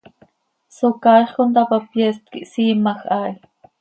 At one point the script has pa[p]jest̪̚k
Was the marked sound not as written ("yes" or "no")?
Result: no